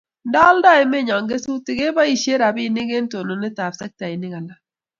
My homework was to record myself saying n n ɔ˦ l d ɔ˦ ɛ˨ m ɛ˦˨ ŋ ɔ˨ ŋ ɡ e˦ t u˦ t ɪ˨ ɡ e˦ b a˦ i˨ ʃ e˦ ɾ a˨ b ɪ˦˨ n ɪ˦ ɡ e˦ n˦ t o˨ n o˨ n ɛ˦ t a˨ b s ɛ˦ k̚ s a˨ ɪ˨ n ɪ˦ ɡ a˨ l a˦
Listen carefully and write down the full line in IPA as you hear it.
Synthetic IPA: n d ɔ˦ l d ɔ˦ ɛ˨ m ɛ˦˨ ɲ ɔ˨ ŋ ɡ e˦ s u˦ t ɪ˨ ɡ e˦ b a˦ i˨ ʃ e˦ ɾ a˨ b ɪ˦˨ n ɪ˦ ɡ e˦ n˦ t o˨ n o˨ n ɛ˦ t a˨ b s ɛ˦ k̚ t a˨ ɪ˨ n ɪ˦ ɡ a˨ l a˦